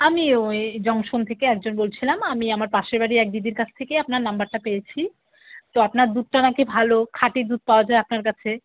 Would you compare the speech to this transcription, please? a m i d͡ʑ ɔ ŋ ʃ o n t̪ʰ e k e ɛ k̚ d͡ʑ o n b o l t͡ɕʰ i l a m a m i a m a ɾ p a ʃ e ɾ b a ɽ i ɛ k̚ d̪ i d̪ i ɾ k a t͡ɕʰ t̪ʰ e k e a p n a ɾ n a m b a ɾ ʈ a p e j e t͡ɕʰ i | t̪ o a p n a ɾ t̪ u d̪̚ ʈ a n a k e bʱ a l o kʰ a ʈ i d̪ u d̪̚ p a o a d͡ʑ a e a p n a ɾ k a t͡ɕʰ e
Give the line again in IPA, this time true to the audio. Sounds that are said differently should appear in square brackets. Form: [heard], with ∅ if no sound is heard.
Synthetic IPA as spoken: a m i d͡ʑ ɔ ŋ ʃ o n t̪ʰ e k e ɛ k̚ d͡ʑ o n b o l t͡ɕʰ i l a m a m i a m a ɾ p a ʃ e ɾ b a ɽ i ɛ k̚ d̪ i d̪ i ɾ k a t͡ɕʰ t̪ʰ e k e a p n a ɾ n a m b a ɾ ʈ a p e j e t͡ɕʰ i | t̪ o a p n a ɾ [d̪] u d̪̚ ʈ a n a k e bʱ a l o kʰ a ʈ i d̪ u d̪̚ p a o a d͡ʑ a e a p n a ɾ k a t͡ɕʰ e